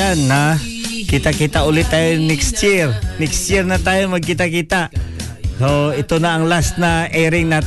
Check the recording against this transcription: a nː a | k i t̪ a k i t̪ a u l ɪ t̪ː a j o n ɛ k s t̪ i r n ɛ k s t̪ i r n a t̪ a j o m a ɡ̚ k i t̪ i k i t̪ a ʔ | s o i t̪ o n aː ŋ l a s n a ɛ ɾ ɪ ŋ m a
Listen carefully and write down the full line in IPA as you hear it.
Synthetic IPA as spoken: a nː a | k i t̪ a k i t̪ a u l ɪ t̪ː a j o n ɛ k s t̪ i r n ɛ k s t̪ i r n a t̪ a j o m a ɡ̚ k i t̪ a k i t̪ a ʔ | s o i t̪ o n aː ŋ l a s n a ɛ ɾ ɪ ŋ n a